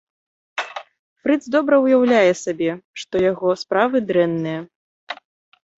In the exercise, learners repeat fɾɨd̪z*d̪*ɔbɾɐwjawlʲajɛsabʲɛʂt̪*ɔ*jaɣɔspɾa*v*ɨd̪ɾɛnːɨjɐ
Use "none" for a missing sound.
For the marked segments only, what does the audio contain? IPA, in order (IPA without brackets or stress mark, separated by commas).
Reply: d̪, ɔ, v